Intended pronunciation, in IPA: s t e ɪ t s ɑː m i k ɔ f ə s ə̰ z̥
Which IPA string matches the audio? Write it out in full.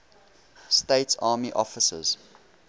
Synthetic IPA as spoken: s t e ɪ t s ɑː m i ʔ ɔ f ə s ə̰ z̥